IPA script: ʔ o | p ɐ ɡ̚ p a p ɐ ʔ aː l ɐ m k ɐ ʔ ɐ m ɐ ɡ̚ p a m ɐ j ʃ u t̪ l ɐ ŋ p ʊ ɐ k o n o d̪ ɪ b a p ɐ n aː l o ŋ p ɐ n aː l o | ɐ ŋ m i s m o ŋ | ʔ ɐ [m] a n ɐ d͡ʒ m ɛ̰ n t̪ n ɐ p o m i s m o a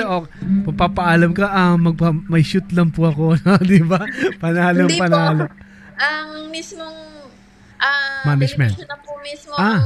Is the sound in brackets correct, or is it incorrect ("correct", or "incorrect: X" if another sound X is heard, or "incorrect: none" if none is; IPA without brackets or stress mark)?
correct